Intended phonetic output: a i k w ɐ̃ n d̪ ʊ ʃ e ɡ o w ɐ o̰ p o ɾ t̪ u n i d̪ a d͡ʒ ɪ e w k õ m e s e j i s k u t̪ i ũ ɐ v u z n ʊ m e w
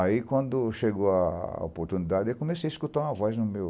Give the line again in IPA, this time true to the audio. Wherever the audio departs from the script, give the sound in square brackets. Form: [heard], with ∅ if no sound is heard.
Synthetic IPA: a i k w ɐ̃ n d̪ ʊ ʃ e ɡ o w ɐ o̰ p o ɾ t̪ u n i d̪ a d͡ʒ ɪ e w k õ m e s e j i s k u t̪ [a] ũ ɐ v [ɔ] z n ʊ m e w